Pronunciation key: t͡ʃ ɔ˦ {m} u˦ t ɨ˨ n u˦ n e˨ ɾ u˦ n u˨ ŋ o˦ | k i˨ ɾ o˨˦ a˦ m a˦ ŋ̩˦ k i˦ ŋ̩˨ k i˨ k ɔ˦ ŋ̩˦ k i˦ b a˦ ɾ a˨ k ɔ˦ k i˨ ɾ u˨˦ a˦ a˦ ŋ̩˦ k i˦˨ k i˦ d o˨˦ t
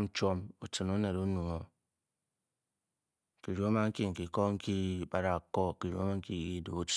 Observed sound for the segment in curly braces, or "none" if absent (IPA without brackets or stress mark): m